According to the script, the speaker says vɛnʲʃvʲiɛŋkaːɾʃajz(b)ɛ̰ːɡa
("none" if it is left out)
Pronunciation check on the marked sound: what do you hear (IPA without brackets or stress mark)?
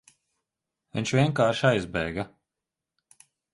b